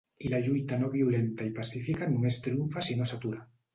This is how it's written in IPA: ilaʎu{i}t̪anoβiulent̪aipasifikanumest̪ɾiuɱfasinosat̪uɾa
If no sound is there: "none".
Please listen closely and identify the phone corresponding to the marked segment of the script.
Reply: j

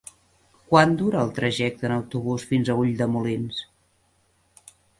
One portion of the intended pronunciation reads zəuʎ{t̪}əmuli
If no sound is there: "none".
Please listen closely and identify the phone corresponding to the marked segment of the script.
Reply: d̪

